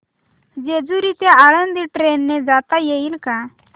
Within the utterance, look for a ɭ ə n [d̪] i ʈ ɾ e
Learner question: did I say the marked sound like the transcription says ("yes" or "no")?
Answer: yes